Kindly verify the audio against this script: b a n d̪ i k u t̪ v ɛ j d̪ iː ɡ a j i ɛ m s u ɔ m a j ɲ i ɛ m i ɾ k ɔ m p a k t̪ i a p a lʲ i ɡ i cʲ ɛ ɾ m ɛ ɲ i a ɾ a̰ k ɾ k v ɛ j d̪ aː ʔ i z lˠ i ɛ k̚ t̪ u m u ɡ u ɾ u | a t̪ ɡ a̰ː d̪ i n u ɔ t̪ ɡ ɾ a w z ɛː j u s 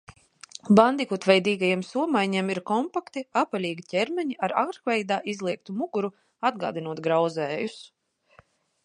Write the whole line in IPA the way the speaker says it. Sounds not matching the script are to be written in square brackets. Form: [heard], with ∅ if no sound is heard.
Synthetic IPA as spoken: b a n d̪ i k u t̪ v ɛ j d̪ iː ɡ a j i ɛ m s u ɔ m a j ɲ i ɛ m i ɾ k ɔ m p a k t̪ i a p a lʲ [iː] ɡ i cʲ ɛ ɾ m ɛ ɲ i a ɾ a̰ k ɾ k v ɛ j d̪ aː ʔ i z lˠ i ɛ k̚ t̪ u m u ɡ u ɾ u | a [d̪] ɡ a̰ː d̪ i n u ɔ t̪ ɡ ɾ a w z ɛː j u s